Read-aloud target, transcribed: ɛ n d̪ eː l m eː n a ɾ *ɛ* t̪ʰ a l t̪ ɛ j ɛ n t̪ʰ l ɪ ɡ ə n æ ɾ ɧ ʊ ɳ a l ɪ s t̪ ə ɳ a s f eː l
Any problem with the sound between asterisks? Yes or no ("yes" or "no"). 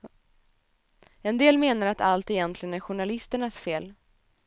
yes